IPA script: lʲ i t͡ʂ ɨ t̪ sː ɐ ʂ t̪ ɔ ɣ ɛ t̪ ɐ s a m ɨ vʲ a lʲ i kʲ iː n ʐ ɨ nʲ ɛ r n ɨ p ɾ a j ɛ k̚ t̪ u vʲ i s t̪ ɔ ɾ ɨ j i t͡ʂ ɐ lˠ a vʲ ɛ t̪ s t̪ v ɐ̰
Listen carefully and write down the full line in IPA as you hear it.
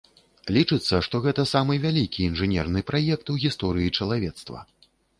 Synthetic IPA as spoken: lʲ i t͡ʂ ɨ t̪ sː ɐ ʂ t̪ ɔ ɣ ɛ t̪ ɐ s a m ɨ vʲ a lʲ i kʲ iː n ʐ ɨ nʲ ɛ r n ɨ p ɾ a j ɛ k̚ t̪ u ɣʲ i s t̪ ɔ ɾ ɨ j i t͡ʂ ɐ lˠ a vʲ ɛ t̪ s t̪ v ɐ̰